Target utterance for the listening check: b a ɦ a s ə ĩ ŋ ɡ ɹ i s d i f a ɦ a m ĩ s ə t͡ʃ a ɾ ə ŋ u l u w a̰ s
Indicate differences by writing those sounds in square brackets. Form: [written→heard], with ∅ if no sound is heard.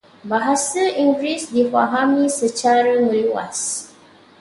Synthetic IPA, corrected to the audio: b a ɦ a s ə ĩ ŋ ɡ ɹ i s d i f a ɦ a m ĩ s ə t͡ʃ a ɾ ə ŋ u l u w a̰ s